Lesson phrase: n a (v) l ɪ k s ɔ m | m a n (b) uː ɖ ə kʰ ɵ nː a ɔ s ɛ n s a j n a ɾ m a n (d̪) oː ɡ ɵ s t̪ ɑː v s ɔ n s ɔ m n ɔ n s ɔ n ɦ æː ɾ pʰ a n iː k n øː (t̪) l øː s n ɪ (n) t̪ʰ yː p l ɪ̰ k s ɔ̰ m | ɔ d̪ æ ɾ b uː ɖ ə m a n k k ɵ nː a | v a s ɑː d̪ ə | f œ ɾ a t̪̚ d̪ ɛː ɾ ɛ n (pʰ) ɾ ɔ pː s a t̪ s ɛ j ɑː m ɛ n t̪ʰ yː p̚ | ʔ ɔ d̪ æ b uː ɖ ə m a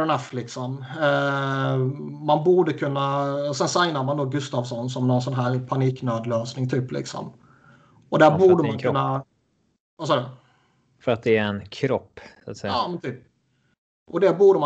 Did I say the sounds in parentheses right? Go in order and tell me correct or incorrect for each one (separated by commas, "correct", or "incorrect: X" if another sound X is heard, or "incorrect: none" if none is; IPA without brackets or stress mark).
incorrect: f, correct, correct, incorrect: d̪, incorrect: ŋ, incorrect: kʰ